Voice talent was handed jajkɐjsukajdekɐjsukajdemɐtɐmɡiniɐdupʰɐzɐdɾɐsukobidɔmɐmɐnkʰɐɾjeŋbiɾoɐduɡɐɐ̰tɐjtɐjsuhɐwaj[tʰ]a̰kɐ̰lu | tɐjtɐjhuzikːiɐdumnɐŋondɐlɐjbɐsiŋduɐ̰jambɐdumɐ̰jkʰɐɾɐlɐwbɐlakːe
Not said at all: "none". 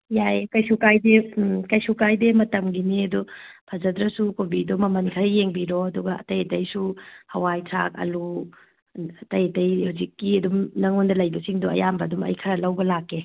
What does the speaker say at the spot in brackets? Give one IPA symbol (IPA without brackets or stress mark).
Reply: tʰ